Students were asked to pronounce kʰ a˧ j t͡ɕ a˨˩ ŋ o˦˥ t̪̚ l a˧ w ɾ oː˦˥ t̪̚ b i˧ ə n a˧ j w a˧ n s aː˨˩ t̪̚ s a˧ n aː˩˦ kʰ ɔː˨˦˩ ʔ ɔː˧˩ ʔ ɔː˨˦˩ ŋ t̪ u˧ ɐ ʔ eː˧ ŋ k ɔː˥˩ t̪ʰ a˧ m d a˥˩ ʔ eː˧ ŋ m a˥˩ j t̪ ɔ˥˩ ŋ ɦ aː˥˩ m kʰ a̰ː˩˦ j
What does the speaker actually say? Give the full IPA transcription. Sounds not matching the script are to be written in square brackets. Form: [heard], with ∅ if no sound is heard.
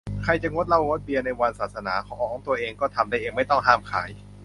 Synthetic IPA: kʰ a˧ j t͡ɕ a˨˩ ŋ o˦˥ t̪̚ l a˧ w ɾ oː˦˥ t̪̚ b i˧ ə n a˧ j w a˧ n s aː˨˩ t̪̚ s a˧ n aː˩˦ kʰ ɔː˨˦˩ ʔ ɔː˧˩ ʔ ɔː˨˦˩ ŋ t̪ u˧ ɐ ʔ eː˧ ŋ k ɔː˥˩ t̪ʰ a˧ m d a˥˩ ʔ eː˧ ŋ m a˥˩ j t̪ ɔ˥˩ ŋ ɦ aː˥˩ m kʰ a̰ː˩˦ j

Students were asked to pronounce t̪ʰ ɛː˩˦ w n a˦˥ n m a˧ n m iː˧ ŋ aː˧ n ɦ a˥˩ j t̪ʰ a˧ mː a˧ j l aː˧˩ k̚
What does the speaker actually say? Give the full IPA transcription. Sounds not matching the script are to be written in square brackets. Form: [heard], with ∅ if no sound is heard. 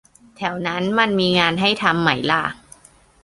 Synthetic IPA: t̪ʰ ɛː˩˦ w n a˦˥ n m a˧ n m iː˧ ŋ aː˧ n ɦ a˥˩ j t̪ʰ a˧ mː [a˩˦] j l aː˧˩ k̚

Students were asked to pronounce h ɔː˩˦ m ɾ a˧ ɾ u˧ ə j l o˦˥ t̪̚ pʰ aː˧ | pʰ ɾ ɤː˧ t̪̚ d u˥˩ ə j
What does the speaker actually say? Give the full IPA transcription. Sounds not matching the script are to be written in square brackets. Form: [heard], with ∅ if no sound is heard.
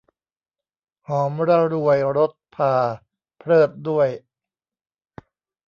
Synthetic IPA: h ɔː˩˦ m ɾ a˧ ɾ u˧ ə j [ɾ] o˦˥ t̪̚ pʰ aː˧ | pʰ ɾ [ɤː˥˩] t̪̚ d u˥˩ ə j

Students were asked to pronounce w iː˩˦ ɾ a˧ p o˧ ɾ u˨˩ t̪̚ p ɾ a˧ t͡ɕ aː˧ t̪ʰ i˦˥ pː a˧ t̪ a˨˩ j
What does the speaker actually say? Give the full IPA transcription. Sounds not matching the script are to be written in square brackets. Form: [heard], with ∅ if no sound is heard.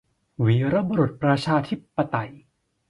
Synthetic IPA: w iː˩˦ ɾ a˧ [b] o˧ ɾ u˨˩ t̪̚ p ɾ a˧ [t͡ɕʰ] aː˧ t̪ʰ i˦˥ pː a˧ t̪ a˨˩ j

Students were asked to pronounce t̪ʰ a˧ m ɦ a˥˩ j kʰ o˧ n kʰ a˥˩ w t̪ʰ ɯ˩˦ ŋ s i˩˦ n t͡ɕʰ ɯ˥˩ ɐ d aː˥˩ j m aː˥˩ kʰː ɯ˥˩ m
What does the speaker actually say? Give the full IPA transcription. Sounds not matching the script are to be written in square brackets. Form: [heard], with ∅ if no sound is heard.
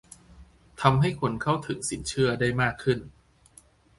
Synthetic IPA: t̪ʰ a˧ m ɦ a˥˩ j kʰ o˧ n kʰ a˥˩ w t̪ʰ ɯ˩˦ ŋ s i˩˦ n t͡ɕʰ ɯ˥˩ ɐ d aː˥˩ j m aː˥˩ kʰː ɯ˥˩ [n]

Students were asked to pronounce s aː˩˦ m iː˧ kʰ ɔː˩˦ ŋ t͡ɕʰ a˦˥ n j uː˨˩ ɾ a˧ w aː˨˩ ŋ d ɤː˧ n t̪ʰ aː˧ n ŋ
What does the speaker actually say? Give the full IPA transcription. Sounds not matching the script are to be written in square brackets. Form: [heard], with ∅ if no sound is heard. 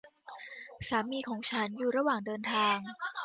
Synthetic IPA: s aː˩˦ m iː˧ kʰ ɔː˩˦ ŋ t͡ɕʰ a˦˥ n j uː˨˩ ɾ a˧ w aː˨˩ ŋ d ɤː˧ n t̪ʰ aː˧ [∅] ŋ

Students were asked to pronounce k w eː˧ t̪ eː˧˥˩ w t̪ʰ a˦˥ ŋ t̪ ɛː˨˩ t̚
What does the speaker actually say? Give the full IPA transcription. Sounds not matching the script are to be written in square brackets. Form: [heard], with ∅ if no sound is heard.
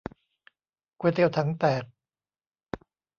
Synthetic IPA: k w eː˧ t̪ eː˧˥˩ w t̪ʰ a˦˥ ŋ t̪ ɛː˨˩ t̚

